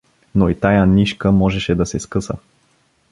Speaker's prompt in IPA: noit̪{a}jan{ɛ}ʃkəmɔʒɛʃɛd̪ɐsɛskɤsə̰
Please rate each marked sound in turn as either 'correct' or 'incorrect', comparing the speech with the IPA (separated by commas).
correct, incorrect